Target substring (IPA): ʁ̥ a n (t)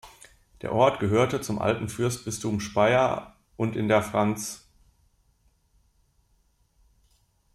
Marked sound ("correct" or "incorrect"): incorrect